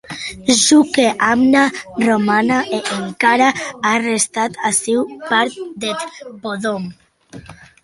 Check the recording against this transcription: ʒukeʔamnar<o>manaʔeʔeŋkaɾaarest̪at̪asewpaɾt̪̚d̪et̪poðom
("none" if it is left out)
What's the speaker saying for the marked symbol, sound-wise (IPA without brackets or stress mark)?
o